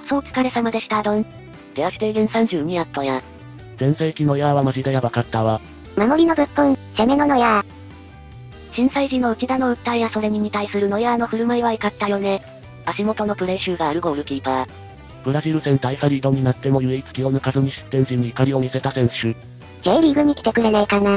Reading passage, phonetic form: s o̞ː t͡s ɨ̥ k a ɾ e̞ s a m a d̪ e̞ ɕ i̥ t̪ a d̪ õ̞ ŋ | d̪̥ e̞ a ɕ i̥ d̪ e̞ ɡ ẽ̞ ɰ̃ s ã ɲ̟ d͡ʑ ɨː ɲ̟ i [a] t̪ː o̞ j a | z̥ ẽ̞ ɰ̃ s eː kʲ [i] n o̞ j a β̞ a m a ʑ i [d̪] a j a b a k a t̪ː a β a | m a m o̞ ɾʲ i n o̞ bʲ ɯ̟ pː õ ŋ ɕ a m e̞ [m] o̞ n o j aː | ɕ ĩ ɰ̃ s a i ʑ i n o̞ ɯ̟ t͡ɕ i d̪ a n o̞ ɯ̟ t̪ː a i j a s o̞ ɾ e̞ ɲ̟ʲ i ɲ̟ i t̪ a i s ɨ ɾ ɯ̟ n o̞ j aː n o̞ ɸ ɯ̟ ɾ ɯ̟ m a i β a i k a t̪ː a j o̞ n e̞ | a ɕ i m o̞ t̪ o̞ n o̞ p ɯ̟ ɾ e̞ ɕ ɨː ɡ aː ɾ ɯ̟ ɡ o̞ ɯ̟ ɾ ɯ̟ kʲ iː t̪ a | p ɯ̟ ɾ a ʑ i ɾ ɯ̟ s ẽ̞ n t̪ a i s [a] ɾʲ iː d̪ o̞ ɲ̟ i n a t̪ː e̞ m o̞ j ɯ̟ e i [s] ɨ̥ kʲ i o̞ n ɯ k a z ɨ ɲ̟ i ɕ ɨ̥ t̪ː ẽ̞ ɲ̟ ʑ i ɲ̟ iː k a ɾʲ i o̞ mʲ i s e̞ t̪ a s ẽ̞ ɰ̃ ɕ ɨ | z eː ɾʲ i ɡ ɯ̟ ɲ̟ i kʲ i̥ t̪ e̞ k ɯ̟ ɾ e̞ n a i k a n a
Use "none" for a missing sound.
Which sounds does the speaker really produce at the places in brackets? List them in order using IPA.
a, i, d̪, n, a, t͡s

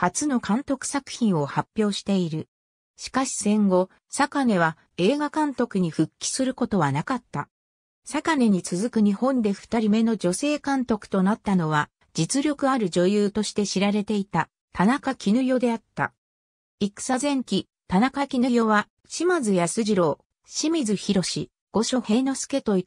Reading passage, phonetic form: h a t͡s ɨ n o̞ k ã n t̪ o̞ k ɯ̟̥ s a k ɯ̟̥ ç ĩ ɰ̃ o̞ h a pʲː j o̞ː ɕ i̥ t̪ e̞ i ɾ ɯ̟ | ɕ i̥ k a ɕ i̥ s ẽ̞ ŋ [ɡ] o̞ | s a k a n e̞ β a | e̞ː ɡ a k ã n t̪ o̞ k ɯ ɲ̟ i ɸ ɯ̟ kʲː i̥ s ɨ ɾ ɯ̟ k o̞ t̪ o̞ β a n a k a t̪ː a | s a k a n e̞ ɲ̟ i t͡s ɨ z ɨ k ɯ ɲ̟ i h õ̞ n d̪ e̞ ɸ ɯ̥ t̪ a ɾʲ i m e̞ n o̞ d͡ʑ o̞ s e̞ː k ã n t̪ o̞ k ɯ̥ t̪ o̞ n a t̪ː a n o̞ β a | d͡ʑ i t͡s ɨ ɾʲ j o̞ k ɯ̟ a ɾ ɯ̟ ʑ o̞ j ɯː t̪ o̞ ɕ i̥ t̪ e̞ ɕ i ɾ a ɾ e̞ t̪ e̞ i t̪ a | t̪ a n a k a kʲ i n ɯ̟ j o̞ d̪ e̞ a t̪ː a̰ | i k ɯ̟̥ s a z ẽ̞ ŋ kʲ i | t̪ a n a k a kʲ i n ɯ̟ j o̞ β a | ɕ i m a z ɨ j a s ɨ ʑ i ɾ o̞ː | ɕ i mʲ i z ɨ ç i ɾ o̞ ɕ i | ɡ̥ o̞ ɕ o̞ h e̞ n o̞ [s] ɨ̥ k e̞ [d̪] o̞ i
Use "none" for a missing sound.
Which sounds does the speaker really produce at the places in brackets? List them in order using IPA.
ɡ, s, t̪

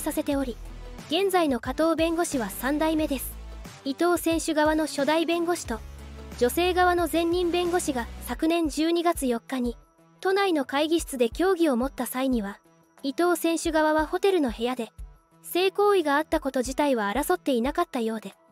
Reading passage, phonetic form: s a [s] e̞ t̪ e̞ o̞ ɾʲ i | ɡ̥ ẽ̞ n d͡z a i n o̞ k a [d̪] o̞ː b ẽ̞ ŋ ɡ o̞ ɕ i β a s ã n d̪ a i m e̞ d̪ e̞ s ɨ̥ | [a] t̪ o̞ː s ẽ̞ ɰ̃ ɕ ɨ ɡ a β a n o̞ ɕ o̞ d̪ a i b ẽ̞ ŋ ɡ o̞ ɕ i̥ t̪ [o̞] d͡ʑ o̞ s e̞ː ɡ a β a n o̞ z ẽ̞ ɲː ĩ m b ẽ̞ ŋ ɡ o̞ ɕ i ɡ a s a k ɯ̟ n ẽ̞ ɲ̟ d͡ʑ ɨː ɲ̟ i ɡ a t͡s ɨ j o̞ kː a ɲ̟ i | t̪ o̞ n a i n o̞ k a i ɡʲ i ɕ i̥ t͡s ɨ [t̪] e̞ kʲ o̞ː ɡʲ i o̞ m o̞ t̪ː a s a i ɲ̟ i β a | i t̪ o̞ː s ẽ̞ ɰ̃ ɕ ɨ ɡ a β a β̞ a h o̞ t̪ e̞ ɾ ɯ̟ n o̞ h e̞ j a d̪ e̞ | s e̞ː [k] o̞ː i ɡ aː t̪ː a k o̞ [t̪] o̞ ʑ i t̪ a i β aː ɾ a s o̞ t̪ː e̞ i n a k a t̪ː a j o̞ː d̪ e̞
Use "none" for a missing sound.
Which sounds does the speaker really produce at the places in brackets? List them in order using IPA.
s, t̪, i, o̞, d̪, k, t̪

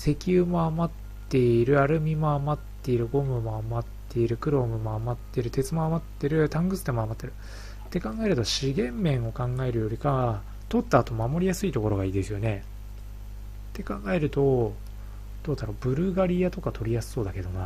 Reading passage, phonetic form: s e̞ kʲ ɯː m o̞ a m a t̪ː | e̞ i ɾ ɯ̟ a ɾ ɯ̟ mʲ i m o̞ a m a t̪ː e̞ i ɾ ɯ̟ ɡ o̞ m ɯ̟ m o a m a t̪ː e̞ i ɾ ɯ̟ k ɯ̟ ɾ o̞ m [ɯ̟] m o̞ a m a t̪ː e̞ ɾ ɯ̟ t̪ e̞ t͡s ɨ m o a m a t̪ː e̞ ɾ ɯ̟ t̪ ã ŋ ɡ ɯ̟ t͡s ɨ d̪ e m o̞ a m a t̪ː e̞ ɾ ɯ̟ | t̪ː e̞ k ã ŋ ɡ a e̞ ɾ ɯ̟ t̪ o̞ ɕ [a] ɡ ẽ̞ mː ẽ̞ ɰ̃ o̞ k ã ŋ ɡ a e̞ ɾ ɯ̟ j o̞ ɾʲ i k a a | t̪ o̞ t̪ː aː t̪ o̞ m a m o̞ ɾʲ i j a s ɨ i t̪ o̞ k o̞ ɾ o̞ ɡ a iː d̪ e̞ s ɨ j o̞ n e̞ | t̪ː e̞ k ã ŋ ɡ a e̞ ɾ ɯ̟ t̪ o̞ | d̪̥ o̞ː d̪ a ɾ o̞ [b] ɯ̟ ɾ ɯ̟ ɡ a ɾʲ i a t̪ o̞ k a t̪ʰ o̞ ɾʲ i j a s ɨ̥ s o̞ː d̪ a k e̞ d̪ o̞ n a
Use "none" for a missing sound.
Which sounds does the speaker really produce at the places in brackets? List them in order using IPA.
ɯ̟, i, b

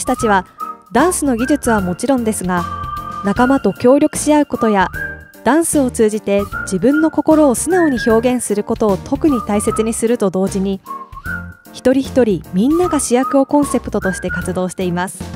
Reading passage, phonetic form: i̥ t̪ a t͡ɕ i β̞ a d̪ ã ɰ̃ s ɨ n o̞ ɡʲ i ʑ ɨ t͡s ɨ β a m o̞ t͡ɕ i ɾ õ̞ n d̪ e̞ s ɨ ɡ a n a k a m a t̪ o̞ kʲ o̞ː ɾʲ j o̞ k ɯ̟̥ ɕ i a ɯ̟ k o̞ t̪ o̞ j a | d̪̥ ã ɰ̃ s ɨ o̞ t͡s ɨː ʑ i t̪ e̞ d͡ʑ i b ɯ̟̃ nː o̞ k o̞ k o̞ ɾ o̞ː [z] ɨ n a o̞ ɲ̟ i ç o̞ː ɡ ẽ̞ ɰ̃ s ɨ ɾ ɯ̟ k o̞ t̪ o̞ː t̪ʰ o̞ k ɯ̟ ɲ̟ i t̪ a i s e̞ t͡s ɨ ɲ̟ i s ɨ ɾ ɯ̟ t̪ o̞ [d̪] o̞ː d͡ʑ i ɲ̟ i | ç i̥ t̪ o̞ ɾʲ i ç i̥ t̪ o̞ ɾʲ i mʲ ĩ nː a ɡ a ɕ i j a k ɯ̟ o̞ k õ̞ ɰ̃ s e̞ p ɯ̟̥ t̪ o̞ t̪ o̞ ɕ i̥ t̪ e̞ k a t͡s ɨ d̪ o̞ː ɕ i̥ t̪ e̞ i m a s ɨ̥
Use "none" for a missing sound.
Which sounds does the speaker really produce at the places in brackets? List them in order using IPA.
s, d̪

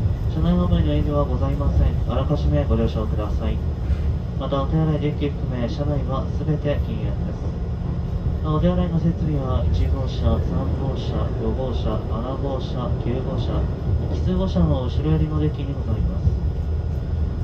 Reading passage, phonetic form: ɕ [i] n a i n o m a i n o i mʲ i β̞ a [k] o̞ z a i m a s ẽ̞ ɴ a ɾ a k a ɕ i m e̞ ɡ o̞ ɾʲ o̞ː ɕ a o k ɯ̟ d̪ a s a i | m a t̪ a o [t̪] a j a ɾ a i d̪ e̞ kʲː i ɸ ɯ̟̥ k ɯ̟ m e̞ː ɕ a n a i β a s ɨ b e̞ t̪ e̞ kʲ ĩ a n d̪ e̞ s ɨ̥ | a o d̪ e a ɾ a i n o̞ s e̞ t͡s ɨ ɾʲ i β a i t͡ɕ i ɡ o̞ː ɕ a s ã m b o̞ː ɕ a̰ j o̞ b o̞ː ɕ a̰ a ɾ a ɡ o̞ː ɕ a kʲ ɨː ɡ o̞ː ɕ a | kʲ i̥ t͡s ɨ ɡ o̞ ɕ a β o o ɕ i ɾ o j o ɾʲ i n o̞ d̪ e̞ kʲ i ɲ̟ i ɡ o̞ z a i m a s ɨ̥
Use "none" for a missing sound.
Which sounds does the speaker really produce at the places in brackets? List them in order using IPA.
a, ɡ, t̪

